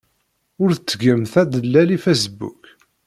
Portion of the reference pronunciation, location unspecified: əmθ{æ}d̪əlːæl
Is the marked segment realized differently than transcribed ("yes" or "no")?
no